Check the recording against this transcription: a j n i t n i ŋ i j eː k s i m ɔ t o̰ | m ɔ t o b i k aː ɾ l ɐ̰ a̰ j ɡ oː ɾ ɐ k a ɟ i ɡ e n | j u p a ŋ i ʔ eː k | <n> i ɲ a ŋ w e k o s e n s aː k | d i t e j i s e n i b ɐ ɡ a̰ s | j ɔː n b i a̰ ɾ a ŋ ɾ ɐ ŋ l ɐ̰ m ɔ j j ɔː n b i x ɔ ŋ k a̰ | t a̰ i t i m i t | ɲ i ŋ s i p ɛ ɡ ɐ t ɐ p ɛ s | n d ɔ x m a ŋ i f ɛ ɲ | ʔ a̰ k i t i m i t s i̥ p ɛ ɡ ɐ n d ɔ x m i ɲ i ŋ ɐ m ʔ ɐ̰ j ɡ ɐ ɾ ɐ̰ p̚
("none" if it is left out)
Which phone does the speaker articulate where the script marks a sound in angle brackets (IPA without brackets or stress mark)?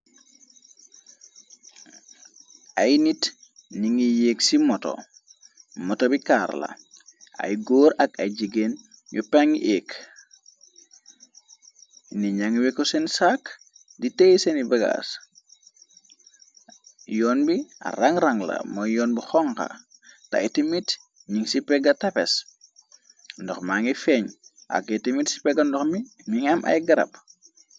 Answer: n